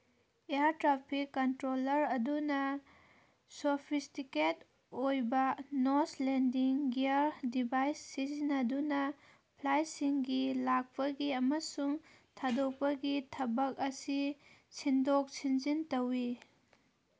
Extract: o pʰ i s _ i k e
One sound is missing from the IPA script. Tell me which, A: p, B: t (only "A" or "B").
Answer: B